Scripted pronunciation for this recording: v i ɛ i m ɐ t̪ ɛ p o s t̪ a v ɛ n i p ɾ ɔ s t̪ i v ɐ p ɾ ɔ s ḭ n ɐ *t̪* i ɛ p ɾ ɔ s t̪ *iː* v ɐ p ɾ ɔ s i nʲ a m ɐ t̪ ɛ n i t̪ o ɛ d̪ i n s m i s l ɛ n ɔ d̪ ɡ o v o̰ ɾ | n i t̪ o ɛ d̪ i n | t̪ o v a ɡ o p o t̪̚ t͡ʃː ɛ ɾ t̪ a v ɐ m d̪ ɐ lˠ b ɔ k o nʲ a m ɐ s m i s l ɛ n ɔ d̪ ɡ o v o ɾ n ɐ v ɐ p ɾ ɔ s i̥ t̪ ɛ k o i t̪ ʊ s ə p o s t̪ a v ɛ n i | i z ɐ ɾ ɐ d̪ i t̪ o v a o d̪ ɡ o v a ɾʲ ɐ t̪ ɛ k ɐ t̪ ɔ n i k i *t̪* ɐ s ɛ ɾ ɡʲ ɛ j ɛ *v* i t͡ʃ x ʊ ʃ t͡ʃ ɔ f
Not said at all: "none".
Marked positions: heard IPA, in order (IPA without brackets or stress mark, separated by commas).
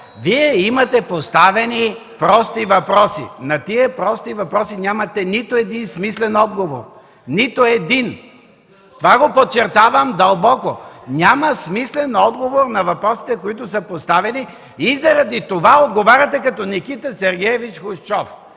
t̪, i, t̪, v